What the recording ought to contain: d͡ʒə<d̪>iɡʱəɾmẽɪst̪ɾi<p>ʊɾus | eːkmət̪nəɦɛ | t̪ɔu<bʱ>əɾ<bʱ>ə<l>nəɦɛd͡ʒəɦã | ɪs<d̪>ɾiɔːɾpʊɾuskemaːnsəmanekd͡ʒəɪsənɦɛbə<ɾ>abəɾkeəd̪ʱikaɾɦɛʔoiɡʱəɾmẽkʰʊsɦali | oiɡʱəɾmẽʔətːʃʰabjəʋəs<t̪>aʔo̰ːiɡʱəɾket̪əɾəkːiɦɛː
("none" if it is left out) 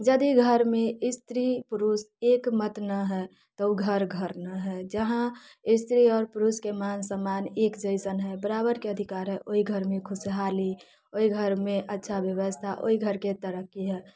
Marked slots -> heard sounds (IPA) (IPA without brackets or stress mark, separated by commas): d̪, p, ɡʱ, ɡʱ, ɾ, t̪, ɾ, t̪ʰ